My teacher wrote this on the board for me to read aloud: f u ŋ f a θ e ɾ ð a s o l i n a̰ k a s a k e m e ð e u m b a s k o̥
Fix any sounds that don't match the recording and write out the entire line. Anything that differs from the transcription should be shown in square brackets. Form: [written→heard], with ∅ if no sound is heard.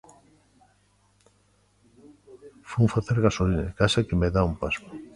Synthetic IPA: f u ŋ f a θ e ɾ [ð→ɣ] a s o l i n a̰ k a s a k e m e ð [e→a] u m [b→p] a s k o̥